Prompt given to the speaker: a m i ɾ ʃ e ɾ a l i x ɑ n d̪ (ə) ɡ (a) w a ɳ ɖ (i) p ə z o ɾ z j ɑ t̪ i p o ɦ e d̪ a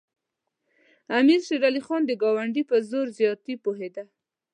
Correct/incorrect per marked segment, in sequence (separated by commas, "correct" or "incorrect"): correct, incorrect, correct